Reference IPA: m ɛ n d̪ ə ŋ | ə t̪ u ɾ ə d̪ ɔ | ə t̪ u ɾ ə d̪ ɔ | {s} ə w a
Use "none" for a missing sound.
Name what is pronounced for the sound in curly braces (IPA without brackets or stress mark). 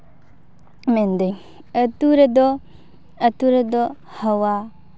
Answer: h